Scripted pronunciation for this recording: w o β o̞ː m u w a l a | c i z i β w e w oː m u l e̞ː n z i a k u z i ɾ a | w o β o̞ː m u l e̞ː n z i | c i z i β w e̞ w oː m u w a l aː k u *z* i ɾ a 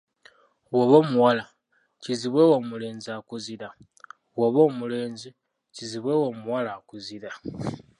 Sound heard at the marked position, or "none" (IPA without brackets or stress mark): z